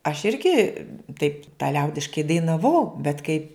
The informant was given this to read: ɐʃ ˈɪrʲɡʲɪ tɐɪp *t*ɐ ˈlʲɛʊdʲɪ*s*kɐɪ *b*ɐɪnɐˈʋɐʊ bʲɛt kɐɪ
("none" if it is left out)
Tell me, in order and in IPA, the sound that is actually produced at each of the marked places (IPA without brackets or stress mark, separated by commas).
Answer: t, ʃ, d